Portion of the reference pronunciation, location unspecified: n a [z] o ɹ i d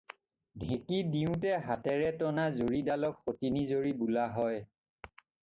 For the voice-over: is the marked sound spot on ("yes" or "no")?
yes